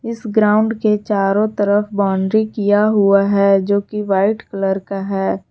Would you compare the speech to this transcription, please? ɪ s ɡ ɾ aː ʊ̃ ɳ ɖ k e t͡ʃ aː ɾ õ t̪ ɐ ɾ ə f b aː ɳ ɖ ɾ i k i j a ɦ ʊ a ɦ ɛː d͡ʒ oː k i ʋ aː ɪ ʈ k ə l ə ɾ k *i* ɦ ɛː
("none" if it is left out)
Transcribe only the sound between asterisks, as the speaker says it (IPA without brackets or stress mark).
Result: a